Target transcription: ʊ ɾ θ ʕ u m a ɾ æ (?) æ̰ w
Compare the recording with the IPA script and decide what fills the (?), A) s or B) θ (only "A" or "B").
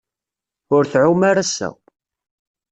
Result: A